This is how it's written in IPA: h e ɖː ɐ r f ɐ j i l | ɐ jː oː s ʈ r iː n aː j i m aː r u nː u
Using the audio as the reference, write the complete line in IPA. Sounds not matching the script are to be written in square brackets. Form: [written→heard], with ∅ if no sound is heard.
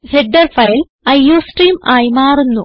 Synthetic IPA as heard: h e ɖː ɐ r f ɐ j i l | ɐ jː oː s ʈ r iː [n→m] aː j i m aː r u nː u